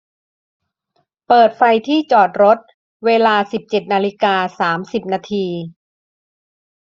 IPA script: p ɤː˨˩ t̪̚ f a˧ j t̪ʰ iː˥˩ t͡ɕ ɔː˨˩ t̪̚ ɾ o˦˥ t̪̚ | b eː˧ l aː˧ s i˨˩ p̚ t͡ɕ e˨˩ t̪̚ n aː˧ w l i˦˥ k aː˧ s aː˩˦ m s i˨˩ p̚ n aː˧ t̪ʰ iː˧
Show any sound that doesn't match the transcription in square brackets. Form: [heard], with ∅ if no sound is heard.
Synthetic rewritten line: p ɤː˨˩ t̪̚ f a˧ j t̪ʰ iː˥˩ t͡ɕ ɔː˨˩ t̪̚ ɾ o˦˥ t̪̚ | [w] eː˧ l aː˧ s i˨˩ p̚ t͡ɕ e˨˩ t̪̚ n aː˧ [∅] l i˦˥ k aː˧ s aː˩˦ m s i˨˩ p̚ n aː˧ t̪ʰ iː˧

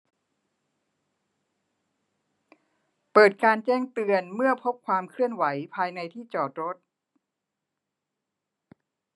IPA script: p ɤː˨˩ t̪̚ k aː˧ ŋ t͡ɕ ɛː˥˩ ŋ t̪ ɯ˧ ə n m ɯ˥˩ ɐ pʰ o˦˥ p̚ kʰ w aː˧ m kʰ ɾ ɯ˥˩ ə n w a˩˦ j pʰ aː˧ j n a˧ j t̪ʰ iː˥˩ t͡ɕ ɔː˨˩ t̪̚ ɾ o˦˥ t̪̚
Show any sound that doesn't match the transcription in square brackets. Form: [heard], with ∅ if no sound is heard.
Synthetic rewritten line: p ɤː˨˩ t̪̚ k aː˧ [n] t͡ɕ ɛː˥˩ ŋ t̪ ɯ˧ ə n m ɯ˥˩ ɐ pʰ o˦˥ p̚ kʰ w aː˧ m kʰ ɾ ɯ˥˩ ə n w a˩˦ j pʰ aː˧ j n a˧ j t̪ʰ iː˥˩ t͡ɕ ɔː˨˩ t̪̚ ɾ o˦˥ t̪̚

